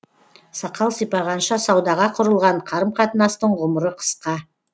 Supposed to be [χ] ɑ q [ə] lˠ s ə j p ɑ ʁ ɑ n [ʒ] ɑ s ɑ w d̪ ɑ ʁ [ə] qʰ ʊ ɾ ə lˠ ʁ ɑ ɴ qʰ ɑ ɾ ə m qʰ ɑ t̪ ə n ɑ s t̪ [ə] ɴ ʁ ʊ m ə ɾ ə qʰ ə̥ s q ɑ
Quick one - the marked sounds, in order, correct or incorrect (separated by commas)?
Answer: incorrect, incorrect, incorrect, incorrect, correct